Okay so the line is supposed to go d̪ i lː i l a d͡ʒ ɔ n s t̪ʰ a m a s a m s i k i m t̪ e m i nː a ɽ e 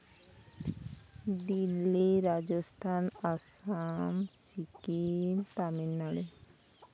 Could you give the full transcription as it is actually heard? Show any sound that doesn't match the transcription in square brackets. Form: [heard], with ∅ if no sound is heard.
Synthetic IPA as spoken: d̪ i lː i [ɾ] a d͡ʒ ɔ [∅] s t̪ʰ a [n] a s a m s i k i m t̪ [a] m i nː a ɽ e